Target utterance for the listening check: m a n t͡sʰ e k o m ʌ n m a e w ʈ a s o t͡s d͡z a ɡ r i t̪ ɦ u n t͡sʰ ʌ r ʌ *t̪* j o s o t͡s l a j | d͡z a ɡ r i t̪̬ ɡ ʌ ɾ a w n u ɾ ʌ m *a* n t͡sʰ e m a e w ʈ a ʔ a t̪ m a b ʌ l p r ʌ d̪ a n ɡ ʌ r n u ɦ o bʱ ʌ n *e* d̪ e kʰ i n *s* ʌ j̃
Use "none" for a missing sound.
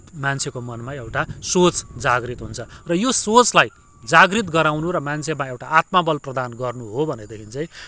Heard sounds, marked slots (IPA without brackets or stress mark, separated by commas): none, a, e, t͡s